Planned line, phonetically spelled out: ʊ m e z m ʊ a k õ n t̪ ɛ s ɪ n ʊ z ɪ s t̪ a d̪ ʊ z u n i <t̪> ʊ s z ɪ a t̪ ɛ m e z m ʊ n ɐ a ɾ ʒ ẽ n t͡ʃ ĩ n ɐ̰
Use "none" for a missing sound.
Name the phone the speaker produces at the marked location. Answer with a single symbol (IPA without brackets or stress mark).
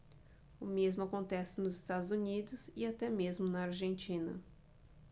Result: d̪